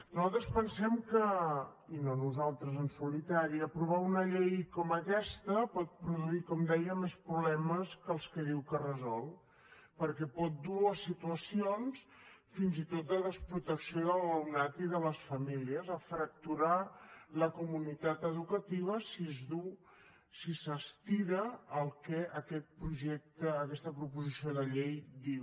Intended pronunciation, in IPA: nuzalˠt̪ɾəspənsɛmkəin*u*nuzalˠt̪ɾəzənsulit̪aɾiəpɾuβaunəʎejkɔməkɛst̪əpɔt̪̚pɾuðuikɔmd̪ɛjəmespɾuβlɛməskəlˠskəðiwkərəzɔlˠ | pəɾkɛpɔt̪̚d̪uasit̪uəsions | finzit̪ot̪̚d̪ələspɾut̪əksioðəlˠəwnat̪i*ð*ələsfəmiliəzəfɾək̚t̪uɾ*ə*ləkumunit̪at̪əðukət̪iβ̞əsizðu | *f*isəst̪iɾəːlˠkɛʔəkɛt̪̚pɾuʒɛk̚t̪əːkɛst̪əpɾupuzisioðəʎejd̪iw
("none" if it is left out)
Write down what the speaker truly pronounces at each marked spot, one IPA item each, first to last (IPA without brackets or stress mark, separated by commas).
o, ð, a, s